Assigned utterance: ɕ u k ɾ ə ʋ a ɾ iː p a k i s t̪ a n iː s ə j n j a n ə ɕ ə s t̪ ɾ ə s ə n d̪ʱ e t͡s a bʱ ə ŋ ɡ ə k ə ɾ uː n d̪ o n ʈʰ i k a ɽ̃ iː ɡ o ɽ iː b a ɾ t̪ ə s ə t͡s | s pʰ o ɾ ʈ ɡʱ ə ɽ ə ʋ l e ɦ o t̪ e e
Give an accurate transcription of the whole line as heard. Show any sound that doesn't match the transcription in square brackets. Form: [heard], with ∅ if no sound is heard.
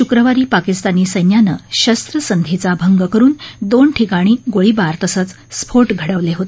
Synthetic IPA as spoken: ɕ u k ɾ ə ʋ a ɾ iː p a k i s t̪ a n iː s ə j n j a n ə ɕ ə s t̪ ɾ ə s ə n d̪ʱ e t͡s a bʱ ə ŋ ɡ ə k ə ɾ uː n d̪ o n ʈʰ i k a ɽ̃ iː ɡ o [ɭ] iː b a ɾ t̪ ə s ə t͡s | s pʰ o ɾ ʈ ɡʱ ə ɽ ə ʋ l e ɦ o t̪ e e